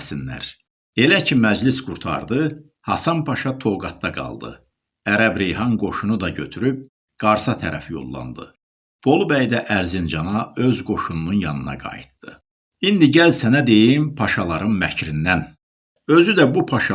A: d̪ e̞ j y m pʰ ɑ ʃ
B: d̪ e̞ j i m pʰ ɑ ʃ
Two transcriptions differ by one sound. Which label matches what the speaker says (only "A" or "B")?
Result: B